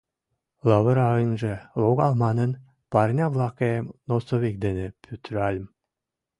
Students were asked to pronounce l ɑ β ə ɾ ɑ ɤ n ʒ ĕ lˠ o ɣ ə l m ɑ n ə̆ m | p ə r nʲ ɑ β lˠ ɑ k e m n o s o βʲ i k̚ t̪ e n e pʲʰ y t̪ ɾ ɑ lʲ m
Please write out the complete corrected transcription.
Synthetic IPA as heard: l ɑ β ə ɾ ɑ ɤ n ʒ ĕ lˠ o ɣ ɑ l m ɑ n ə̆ n | p ɑ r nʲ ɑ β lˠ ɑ k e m n o s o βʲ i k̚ d̪ e n e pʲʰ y t̪ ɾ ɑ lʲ m